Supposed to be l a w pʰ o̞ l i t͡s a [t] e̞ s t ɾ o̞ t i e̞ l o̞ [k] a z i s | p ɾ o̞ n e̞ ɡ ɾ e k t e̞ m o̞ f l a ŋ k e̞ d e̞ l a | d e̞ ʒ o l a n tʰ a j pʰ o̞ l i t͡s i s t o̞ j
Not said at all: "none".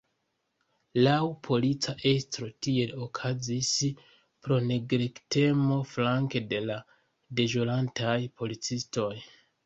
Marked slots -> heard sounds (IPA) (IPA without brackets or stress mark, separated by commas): ʔ, kʰ